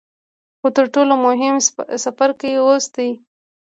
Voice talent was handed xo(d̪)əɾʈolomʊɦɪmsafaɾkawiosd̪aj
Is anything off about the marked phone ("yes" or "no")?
yes